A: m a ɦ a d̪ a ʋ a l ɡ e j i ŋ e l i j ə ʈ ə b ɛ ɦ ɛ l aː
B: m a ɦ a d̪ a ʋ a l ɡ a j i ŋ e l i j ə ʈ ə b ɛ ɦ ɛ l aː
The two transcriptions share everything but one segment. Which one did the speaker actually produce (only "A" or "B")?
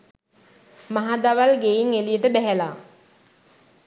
A